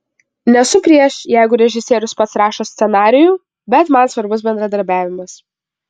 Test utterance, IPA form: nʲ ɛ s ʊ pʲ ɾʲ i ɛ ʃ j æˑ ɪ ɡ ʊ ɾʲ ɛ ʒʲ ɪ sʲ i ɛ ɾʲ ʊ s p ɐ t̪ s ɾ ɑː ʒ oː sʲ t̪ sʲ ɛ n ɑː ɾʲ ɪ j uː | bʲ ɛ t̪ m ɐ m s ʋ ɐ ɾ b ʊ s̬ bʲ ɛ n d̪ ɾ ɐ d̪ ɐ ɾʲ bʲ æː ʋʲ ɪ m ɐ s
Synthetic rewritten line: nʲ ɛ s ʊ pʲ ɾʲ i ɛ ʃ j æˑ ɪ ɡ ʊ ɾʲ ɛ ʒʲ ɪ sʲ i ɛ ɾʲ ʊ s p ɐ t̪ s ɾ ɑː ʃ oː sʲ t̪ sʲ ɛ n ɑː ɾʲ ɪ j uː | bʲ ɛ t̪ m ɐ n s ʋ ɐ ɾ b ʊ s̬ bʲ ɛ n d̪ ɾ ɐ d̪ ɐ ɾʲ bʲ æː ʋʲ ɪ m ɐ s